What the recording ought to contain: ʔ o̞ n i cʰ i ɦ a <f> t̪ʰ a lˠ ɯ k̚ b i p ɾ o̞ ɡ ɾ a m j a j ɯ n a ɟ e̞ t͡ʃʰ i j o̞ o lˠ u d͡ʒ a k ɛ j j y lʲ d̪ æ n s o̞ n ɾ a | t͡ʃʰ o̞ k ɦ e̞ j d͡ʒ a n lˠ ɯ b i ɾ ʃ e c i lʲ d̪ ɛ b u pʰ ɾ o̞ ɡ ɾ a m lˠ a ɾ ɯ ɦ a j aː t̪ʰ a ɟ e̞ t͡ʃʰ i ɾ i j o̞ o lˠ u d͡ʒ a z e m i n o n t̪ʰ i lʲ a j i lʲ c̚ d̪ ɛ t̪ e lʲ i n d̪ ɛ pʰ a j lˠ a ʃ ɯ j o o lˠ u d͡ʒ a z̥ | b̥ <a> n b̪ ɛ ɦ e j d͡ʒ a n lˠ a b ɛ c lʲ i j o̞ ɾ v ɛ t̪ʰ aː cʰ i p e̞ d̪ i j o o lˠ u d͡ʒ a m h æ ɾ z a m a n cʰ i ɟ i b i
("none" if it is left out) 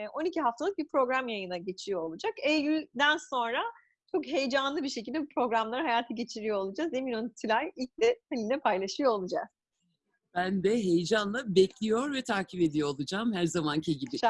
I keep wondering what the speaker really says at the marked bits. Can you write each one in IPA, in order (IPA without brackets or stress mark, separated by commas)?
f, æ